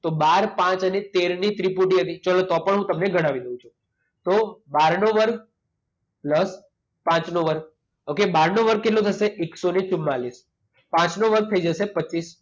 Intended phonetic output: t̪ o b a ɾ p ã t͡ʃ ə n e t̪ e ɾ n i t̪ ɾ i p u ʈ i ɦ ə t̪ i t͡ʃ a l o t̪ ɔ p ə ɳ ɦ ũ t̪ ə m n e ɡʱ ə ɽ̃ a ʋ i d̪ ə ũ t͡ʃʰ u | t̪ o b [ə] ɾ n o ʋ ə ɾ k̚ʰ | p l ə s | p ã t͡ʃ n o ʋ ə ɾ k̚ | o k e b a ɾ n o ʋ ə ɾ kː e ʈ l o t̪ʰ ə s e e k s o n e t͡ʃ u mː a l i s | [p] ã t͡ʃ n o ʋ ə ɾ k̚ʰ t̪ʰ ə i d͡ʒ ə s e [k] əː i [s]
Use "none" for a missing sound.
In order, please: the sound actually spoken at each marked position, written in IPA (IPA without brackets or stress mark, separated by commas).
a, p, p, s